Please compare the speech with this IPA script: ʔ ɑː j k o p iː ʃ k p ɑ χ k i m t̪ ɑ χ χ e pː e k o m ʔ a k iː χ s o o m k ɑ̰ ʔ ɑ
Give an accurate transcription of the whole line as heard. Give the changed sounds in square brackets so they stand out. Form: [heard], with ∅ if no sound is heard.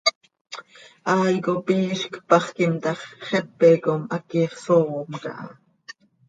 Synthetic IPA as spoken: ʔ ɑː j k o p iː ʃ k p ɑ χ k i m t̪ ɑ χ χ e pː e k o m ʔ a k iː χ s o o m k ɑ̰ ʔ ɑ